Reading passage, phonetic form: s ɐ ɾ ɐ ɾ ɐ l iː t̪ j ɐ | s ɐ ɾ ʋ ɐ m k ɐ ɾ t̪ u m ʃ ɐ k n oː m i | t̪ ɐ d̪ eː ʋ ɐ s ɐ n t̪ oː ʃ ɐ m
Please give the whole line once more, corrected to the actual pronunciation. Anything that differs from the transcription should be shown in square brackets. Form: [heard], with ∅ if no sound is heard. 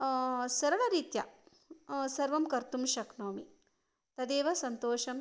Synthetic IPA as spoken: s ɐ ɾ ɐ [ɭ] ɐ [ɾ] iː t̪ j ɐ | s ɐ ɾ ʋ ɐ m k ɐ ɾ t̪ u m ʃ ɐ k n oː m i | t̪ ɐ d̪ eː ʋ ɐ s ɐ n t̪ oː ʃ ɐ m